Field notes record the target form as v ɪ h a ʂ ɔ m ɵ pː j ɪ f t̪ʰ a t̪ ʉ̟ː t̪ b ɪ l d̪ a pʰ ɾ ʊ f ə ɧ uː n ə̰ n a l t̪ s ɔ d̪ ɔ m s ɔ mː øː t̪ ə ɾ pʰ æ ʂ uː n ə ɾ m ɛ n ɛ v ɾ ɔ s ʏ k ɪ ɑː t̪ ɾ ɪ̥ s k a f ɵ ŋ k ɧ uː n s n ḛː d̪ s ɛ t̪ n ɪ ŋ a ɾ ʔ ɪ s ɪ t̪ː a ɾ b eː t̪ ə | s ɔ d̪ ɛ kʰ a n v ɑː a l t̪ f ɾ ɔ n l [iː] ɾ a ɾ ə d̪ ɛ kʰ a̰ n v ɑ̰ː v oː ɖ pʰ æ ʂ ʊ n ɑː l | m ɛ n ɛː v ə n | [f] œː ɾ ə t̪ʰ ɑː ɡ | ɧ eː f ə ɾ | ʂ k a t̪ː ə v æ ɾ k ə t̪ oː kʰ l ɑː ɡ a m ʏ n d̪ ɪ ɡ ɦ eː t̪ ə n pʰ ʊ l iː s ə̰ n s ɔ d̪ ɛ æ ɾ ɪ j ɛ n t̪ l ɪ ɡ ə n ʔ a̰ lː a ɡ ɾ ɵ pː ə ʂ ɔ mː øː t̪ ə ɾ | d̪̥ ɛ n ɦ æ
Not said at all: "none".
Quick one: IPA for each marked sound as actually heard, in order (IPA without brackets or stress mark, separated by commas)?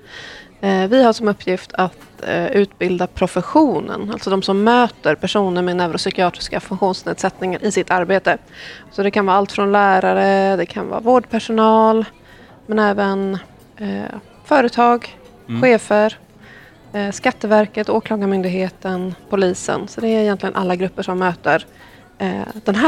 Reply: æː, f